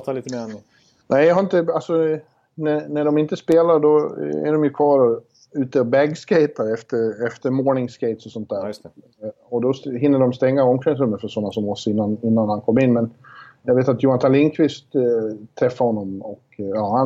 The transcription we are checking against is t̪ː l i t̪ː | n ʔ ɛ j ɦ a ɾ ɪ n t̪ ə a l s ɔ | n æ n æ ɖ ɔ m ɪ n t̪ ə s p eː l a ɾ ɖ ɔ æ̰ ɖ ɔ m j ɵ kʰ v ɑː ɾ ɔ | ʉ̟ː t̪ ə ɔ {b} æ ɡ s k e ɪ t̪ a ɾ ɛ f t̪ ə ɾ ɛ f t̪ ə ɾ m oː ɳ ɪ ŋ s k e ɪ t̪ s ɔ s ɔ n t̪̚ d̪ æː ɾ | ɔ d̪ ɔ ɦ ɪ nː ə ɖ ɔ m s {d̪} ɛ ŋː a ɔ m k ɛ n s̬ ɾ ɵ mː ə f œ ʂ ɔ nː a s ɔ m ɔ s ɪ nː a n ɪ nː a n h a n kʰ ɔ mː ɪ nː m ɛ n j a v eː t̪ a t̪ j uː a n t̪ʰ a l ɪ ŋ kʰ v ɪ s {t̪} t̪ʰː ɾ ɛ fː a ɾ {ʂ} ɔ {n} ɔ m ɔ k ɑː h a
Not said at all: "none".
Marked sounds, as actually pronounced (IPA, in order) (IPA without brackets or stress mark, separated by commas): b, t̪, t̪, h, nː